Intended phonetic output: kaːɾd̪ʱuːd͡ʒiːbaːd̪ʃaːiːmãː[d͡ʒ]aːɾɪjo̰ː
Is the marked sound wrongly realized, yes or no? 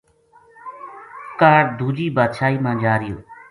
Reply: no